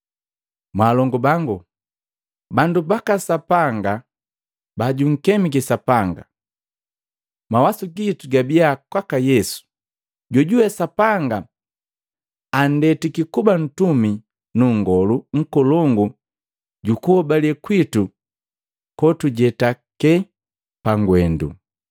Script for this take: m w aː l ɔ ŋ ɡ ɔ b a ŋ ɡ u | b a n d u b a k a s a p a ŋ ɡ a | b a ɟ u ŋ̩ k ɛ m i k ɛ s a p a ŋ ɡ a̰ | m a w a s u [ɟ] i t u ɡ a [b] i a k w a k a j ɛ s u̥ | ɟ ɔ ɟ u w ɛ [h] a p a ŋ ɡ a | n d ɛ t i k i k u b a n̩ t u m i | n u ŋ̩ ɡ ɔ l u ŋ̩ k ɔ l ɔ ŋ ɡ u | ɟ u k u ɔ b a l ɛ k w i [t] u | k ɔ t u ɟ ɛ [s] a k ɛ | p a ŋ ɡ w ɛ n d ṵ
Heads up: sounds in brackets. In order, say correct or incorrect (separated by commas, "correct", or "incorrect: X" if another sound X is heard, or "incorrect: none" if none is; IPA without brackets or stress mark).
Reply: incorrect: ɡ, correct, incorrect: s, correct, incorrect: t